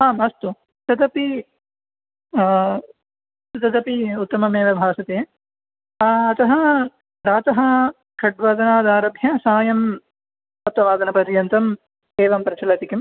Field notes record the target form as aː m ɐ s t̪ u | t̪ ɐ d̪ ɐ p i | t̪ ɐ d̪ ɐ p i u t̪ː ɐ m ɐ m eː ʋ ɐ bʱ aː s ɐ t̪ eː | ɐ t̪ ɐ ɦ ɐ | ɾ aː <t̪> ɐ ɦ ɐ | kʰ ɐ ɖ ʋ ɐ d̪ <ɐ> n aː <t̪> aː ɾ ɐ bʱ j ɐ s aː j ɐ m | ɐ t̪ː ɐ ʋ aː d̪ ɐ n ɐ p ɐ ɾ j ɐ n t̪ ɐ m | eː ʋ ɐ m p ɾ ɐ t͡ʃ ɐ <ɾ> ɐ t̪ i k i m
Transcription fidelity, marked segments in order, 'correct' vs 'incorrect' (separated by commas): correct, correct, incorrect, incorrect